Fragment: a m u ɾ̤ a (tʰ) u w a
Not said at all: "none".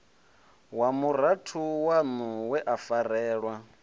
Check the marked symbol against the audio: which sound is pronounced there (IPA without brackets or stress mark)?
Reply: tʰ